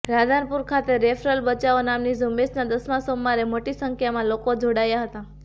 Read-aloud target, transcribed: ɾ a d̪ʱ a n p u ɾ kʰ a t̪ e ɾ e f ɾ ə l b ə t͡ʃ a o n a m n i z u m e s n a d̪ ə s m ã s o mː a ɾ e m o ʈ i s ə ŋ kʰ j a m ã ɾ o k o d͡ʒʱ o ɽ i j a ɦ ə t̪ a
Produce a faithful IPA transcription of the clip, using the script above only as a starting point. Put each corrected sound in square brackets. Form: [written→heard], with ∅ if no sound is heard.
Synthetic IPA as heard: ɾ a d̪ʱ a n p u ɾ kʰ a t̪ e ɾ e f ɾ ə l b ə t͡ʃ a o n a m n i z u m e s n a d̪ ə s m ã s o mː a ɾ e m o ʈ i s ə ŋ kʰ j a m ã [ɾ→l] o k o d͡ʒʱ o ɽ [i→a] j a ɦ ə t̪ a